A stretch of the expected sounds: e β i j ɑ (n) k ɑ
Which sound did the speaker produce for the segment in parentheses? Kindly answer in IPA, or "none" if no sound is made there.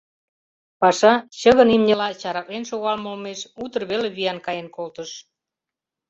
n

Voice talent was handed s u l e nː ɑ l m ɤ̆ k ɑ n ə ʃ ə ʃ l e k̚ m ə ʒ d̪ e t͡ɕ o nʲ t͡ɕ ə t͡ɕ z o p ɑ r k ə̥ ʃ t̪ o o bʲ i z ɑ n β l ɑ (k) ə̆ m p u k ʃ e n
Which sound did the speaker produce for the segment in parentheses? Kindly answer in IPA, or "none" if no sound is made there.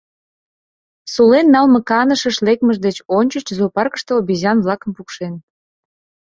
k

